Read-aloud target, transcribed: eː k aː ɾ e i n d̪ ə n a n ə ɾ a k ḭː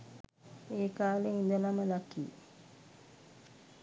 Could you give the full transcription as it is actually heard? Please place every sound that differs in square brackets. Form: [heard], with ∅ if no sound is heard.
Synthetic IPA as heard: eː k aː [l] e i n d̪ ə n a [m] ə [l] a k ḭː

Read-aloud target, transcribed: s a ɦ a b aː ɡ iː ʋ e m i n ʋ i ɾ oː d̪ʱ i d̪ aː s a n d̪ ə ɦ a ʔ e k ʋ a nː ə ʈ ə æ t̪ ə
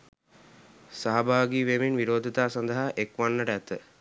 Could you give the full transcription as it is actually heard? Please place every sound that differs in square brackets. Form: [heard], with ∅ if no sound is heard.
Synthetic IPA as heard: s a ɦ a b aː ɡ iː ʋ e m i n ʋ i ɾ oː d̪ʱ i [t̪] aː s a n d̪ ə ɦ a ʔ e k ʋ a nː ə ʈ ə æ t̪ ə

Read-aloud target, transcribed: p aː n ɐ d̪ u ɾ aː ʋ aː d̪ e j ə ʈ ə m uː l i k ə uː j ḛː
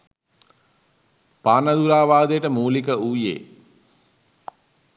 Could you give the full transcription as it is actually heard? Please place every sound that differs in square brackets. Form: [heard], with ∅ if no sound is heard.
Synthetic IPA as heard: p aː n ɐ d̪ u ɾ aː ʋ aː d̪ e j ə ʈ ə m uː l i k ə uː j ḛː

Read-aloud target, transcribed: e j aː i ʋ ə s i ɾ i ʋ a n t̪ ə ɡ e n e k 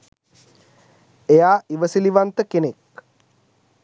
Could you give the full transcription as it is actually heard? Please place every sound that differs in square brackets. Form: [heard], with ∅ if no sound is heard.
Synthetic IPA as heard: e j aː i ʋ ə s i [l] i ʋ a n t̪ ə [k] e n e k

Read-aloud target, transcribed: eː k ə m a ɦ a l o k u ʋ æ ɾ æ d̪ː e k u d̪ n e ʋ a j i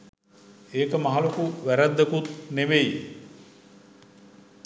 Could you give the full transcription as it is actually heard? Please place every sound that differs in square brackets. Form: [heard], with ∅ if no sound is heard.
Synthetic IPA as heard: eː k ə m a ɦ a l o k u ʋ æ ɾ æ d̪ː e k u [t̪] n e ʋ [e] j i

